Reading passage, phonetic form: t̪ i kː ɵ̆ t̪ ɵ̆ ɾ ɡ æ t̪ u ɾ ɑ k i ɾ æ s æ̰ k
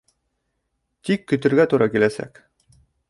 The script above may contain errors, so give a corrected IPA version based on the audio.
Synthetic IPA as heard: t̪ i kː ɵ̆ t̪ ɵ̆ ɾ ɡ æ t̪ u ɾ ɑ k i l æ s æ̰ k